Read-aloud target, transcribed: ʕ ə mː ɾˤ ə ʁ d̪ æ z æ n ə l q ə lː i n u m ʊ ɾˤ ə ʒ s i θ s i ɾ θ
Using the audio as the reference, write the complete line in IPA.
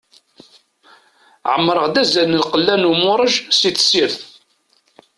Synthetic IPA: ʕ ə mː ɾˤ ə ʁ d̪ æ z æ n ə l q ə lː æ n u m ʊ ɾˤ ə ʒ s i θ s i ɾ θ